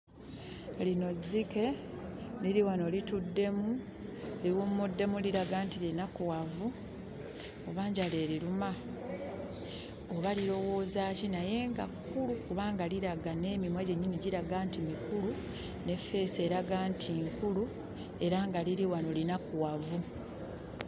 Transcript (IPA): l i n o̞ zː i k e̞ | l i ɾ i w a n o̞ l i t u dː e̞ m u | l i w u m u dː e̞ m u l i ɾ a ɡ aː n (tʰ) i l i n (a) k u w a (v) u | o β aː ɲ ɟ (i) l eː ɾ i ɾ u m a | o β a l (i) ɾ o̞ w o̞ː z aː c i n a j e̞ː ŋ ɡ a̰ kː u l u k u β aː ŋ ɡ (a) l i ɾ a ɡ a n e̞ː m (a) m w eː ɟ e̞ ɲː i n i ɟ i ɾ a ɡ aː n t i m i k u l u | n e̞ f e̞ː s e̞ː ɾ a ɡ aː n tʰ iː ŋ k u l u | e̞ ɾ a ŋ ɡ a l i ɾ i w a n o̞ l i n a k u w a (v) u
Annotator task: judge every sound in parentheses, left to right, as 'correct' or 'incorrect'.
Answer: incorrect, correct, correct, incorrect, correct, correct, incorrect, correct

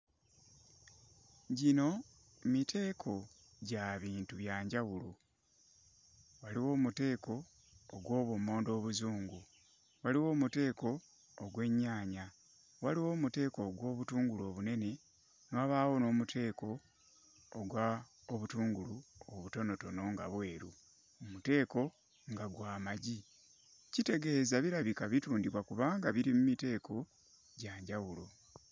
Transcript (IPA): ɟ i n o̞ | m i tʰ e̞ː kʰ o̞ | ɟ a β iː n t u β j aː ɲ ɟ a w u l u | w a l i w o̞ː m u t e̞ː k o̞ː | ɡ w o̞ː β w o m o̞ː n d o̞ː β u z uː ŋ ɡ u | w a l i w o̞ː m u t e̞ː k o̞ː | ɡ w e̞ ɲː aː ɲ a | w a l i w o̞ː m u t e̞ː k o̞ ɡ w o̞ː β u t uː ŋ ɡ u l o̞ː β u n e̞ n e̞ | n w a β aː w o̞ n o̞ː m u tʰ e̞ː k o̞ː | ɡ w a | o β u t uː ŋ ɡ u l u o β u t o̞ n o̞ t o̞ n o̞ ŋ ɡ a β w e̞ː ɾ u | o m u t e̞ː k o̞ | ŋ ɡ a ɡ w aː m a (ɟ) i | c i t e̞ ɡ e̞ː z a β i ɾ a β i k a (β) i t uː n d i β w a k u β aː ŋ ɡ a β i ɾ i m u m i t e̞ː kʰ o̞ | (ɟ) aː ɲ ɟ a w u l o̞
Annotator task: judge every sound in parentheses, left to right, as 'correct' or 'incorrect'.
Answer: correct, correct, correct

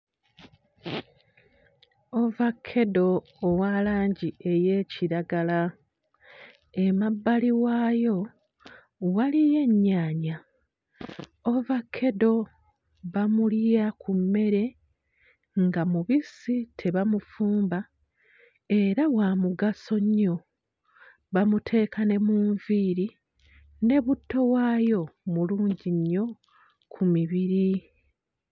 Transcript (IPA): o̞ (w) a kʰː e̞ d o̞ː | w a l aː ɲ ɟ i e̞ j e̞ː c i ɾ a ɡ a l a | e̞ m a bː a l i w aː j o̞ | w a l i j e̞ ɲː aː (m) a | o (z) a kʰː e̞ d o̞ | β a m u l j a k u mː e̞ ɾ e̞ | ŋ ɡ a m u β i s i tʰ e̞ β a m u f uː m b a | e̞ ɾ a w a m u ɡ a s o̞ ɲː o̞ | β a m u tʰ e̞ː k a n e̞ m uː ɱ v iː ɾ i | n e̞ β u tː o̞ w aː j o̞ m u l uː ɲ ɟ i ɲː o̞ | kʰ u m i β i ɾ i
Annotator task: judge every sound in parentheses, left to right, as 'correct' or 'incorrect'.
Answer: incorrect, incorrect, incorrect

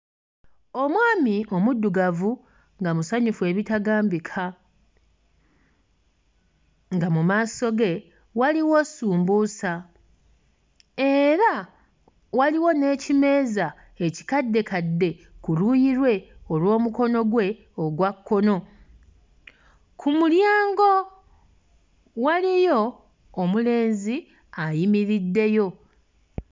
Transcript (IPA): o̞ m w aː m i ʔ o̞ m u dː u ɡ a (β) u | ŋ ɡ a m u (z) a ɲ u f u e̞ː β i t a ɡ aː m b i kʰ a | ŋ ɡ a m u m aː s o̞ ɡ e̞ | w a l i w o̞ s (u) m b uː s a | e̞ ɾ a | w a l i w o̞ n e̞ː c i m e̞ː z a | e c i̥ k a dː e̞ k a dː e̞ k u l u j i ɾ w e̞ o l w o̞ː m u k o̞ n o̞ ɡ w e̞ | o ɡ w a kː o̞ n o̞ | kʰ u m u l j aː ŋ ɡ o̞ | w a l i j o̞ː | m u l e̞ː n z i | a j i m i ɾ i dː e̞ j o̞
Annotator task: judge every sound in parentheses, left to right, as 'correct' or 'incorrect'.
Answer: incorrect, incorrect, incorrect

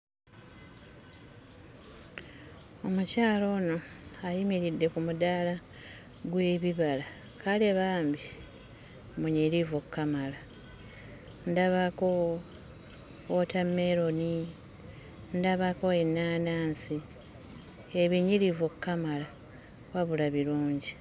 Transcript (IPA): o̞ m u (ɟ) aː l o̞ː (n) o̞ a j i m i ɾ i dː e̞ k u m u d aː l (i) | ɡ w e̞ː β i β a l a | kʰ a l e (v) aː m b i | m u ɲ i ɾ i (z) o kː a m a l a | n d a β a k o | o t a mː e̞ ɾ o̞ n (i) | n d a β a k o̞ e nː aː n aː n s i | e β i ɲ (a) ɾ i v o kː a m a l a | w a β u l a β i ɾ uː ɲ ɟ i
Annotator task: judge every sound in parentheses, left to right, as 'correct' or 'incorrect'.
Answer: incorrect, correct, incorrect, incorrect, incorrect, correct, incorrect

